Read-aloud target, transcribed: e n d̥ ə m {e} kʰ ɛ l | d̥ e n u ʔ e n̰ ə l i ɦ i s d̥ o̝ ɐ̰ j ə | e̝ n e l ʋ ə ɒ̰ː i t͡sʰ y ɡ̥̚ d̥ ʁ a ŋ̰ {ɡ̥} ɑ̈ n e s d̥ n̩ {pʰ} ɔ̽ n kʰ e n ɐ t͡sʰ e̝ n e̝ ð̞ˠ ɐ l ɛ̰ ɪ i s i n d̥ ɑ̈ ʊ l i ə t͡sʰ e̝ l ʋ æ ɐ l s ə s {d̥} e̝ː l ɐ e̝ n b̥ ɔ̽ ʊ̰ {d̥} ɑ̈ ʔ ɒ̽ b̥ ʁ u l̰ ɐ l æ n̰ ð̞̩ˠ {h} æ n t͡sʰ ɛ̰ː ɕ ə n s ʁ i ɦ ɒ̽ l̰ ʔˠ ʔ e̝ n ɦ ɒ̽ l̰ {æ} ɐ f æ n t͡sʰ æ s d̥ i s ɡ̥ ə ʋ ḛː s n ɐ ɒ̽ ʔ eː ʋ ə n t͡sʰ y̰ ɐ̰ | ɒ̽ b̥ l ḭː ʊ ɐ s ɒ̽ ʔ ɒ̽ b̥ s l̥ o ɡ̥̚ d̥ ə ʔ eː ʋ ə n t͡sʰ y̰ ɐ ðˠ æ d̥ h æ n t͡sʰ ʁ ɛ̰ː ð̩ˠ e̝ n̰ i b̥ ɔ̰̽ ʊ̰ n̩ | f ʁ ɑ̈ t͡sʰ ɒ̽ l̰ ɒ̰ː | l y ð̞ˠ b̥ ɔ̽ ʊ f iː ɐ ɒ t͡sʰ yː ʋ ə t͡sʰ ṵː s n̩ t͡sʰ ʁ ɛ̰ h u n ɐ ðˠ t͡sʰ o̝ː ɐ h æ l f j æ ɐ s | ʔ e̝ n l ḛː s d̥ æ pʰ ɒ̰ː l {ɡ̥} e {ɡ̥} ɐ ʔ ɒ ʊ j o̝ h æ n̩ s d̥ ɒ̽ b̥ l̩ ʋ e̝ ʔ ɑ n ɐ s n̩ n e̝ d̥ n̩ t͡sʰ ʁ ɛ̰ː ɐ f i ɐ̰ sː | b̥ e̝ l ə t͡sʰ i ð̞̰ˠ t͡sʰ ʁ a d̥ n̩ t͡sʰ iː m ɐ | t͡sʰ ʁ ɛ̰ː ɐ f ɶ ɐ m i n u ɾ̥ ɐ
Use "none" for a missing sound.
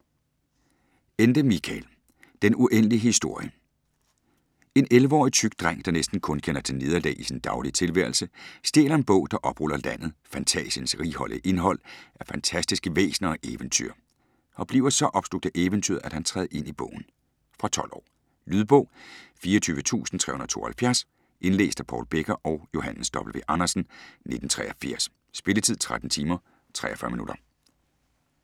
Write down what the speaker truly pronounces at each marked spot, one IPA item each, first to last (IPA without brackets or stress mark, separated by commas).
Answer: i, d̥, kʰ, d̥, d̥, f, æ, b̥, ɡ̥